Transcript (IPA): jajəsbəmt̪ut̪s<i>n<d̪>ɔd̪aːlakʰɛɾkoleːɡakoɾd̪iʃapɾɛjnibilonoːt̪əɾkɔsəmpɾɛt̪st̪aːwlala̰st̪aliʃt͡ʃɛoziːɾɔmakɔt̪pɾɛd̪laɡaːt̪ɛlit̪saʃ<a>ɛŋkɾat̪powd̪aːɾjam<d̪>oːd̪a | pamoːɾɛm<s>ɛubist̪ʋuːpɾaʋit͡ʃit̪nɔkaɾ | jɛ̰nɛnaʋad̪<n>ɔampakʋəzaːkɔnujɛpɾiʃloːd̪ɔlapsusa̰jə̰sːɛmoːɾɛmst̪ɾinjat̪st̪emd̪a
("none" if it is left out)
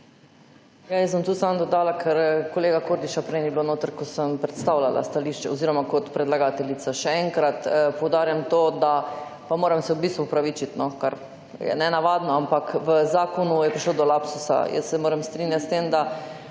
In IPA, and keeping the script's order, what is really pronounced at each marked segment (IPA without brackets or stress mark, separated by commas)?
a, d̪, ɛ, t̪, s, n